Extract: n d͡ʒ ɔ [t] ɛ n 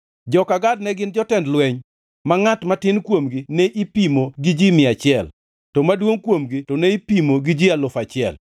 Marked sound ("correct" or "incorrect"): correct